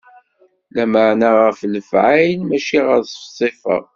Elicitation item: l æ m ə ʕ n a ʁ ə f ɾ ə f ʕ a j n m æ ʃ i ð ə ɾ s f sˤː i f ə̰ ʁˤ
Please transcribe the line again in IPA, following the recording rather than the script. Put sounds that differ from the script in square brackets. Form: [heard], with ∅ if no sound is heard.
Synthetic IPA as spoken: l æ m ə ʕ n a ʁ ə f [l] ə f ʕ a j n m æ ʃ i [ʁ] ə ɾ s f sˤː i f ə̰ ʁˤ